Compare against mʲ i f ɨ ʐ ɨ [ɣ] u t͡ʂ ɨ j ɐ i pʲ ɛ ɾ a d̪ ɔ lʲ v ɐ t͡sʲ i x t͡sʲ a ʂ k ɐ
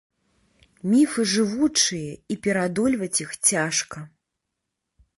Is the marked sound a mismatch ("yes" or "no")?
yes